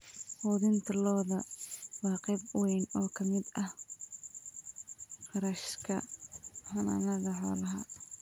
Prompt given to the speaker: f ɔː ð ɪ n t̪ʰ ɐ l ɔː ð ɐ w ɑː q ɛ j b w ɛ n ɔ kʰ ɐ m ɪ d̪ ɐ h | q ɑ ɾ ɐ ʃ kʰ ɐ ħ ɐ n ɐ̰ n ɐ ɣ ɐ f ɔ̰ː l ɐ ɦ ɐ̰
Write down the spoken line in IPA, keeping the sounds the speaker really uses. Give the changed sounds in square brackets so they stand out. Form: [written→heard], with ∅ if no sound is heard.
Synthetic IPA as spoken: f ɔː ð ɪ n t̪ʰ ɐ l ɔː ð ɐ w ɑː q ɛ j b w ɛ n [ɔ→ɔː] kʰ ɐ m ɪ d̪ ɐ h | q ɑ ɾ ɐ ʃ kʰ ɐ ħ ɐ n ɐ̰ n ɐ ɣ ɐ [f→ħ] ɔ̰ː l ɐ ɦ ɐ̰